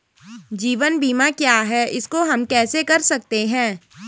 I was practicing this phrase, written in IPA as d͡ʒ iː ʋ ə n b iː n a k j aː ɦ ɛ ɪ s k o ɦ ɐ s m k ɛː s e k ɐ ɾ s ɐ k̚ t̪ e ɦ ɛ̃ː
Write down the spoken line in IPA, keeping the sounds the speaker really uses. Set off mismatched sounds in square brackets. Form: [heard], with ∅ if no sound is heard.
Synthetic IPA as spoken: d͡ʒ iː ʋ ə n b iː [m] a k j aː ɦ ɛ ɪ s k o ɦ ɐ [∅] m k ɛː s e k ɐ ɾ s ɐ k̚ t̪ e ɦ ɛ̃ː